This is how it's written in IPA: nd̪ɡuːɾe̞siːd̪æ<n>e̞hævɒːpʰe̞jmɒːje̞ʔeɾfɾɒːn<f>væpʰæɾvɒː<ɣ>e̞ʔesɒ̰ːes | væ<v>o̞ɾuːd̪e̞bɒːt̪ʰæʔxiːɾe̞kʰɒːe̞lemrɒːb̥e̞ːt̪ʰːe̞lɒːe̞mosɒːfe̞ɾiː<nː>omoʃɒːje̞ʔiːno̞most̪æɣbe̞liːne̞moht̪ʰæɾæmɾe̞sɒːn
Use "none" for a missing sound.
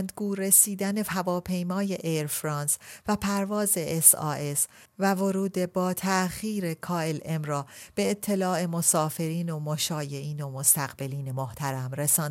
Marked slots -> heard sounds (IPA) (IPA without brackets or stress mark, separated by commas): n, s, z, v, n